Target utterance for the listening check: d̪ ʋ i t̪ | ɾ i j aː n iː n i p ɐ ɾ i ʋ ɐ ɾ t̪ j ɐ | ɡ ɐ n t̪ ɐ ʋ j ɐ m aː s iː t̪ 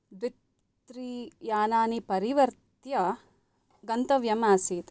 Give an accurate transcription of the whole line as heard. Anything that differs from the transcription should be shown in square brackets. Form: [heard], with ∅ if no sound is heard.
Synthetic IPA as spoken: d̪ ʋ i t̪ | ɾ i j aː n [aː] n i p ɐ ɾ i ʋ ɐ ɾ t̪ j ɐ | ɡ ɐ n t̪ ɐ ʋ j ɐ m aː s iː t̪

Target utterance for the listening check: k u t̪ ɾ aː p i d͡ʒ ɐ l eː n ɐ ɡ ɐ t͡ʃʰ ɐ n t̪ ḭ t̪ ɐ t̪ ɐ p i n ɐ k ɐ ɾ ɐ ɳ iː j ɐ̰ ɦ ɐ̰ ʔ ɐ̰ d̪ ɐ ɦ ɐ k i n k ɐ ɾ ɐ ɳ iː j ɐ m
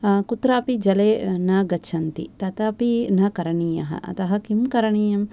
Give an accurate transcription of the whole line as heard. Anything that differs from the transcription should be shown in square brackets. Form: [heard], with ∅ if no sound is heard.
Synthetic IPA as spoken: k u t̪ ɾ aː p i d͡ʒ ɐ l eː n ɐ ɡ ɐ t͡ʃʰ ɐ n t̪ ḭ t̪ ɐ t̪ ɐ p i n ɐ k ɐ ɾ ɐ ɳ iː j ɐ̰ ɦ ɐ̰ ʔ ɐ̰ [t̪] ɐ ɦ ɐ k i [m] k ɐ ɾ ɐ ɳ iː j ɐ m

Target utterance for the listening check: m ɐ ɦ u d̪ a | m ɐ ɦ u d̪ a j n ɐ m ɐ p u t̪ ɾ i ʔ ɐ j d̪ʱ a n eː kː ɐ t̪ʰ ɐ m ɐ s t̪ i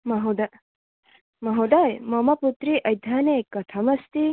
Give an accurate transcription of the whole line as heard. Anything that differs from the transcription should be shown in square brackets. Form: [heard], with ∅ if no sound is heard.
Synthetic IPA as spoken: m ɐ ɦ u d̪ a | m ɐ ɦ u d̪ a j [m] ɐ m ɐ p u t̪ ɾ i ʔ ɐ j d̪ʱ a n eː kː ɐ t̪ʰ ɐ m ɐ s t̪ i

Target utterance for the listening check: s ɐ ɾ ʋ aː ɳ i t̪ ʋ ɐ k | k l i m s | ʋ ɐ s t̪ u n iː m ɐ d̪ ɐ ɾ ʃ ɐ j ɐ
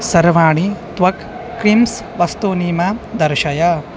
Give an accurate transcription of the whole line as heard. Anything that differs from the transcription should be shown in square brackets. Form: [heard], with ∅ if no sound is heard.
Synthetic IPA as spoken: s ɐ ɾ ʋ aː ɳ i t̪ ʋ ɐ k | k [ɾ] i m s | ʋ ɐ s t̪ u n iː m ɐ d̪ ɐ ɾ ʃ ɐ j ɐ

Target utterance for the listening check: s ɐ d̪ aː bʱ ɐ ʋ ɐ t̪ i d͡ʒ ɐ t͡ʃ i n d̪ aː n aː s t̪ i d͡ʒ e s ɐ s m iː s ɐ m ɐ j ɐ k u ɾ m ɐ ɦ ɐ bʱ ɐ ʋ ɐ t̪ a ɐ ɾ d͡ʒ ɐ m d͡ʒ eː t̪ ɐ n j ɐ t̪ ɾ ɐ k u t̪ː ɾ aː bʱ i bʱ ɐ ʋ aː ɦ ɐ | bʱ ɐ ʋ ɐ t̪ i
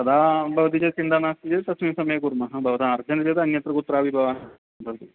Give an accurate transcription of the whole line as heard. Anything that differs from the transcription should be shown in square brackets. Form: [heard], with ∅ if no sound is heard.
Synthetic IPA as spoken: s ɐ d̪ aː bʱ ɐ ʋ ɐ t̪ i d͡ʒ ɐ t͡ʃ i n d̪ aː n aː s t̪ i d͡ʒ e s ɐ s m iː s ɐ m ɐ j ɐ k u ɾ m ɐ ɦ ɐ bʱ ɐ ʋ ɐ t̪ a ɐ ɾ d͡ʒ ɐ [n] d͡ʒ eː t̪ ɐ n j ɐ t̪ ɾ ɐ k u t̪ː ɾ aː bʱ i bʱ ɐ ʋ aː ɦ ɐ | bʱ ɐ ʋ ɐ t̪ i

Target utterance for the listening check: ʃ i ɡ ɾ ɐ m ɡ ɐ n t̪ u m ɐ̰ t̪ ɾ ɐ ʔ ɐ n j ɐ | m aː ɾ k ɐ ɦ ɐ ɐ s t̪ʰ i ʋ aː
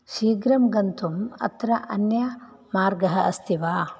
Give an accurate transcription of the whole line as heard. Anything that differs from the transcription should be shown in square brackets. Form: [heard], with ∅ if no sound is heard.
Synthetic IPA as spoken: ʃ [iː] ɡ ɾ ɐ m ɡ ɐ n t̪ u m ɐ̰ t̪ ɾ ɐ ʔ ɐ n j ɐ | m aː ɾ [ɡ] ɐ ɦ ɐ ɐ s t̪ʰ i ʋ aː

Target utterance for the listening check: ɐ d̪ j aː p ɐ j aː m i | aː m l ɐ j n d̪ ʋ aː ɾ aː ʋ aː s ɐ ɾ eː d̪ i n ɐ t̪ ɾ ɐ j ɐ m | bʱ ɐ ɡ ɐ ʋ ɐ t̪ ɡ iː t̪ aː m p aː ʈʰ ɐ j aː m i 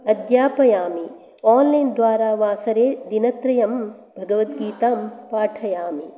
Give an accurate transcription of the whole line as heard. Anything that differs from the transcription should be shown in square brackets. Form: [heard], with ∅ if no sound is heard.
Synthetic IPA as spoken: ɐ d̪ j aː p ɐ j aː m i | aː [n] l ɐ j n d̪ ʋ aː ɾ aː ʋ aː s ɐ ɾ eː d̪ i n ɐ t̪ ɾ ɐ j ɐ m | bʱ ɐ ɡ ɐ ʋ ɐ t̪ ɡ iː t̪ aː m p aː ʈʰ ɐ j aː m i

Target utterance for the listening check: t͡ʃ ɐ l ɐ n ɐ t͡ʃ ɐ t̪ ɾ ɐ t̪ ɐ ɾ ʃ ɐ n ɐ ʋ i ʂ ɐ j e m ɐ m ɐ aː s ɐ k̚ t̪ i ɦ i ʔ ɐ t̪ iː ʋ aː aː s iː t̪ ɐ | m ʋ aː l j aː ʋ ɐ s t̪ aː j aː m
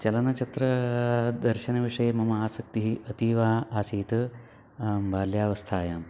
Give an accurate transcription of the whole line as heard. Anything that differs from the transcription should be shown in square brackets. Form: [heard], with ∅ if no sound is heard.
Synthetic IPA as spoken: t͡ʃ ɐ l ɐ n ɐ t͡ʃ ɐ t̪ ɾ ɐ [d̪] ɐ ɾ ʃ ɐ n ɐ ʋ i ʂ ɐ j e m ɐ m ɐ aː s ɐ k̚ t̪ i ɦ i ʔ ɐ t̪ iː ʋ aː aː s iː t̪ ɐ | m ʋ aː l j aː ʋ ɐ s [t̪ʰ] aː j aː m

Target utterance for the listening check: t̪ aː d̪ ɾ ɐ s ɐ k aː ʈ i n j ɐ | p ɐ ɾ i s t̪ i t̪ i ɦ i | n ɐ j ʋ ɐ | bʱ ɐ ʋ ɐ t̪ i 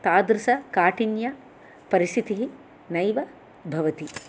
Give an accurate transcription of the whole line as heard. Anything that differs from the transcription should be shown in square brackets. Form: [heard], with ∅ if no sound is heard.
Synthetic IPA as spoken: t̪ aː d̪ ɾ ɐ s ɐ k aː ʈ i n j ɐ | p ɐ ɾ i s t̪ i t̪ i ɦ i | n ɐ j ʋ ɐ | bʱ ɐ ʋ ɐ t̪ i

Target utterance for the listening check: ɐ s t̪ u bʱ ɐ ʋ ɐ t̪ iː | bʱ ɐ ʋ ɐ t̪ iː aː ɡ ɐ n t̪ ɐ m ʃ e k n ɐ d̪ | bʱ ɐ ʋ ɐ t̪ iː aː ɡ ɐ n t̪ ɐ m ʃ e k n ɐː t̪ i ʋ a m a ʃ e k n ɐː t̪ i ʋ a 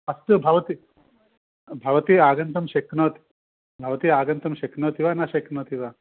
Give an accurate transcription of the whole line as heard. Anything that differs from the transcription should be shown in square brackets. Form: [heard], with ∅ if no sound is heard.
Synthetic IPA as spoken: ɐ s t̪ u bʱ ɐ ʋ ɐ t̪ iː | bʱ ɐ ʋ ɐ t̪ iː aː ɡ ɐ n t̪ ɐ m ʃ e k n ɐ [t̪] | bʱ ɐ ʋ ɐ t̪ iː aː ɡ ɐ n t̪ ɐ m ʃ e k n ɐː t̪ i ʋ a [n] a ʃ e k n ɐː t̪ i ʋ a

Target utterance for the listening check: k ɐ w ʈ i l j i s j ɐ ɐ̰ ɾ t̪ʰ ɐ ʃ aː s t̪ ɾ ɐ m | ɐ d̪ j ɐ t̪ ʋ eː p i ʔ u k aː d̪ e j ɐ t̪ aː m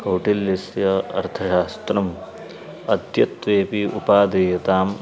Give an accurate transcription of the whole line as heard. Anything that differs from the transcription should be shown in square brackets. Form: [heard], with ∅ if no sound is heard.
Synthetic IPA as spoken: k ɐ w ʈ i l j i s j ɐ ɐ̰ ɾ t̪ʰ ɐ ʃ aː s t̪ ɾ ɐ m | ɐ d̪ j ɐ t̪ ʋ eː p i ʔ u [p] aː d̪ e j ɐ t̪ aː m

